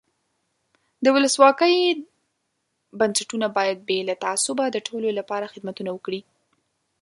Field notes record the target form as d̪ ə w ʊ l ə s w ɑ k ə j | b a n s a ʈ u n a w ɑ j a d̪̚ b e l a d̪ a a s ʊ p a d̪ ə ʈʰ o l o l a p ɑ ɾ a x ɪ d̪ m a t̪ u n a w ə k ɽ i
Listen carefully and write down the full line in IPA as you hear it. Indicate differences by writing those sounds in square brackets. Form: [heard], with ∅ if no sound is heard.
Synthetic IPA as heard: d̪ ə w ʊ l ə s w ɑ k ə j | b a n s a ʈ u n a [b] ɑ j a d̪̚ b e l a [t̪] a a s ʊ [b] a d̪ ə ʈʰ o l o l a p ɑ ɾ a x ɪ d̪ m a t̪ u n a w ə k ɽ i